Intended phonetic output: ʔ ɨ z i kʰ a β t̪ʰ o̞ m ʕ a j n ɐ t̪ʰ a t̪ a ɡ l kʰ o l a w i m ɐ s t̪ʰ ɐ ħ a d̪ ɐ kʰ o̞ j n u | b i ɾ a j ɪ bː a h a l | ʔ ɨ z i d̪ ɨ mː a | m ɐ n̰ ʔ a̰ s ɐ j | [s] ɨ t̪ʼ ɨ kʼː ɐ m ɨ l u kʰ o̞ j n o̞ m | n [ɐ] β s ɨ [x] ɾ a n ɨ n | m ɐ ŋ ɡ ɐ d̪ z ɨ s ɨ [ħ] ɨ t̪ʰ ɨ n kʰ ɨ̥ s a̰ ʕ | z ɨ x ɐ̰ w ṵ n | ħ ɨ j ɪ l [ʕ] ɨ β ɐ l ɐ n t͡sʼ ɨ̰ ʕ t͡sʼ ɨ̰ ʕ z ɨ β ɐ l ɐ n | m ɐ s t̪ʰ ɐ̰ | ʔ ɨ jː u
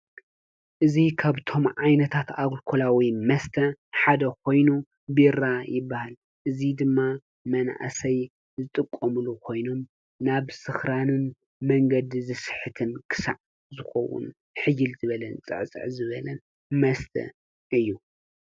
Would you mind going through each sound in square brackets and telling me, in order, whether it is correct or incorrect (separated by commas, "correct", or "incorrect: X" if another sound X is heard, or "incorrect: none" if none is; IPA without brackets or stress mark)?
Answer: incorrect: z, incorrect: a, correct, correct, incorrect: z